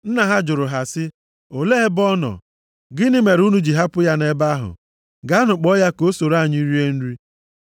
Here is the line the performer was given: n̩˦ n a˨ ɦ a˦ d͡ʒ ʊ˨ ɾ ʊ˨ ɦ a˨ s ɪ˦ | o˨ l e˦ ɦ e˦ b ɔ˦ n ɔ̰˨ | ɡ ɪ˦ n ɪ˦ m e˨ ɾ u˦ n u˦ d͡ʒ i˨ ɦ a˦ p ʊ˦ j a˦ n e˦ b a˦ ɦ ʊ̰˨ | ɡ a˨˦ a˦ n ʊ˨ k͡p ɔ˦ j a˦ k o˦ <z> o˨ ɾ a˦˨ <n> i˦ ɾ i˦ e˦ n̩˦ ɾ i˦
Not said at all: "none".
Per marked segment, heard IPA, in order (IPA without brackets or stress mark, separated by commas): s, ɲ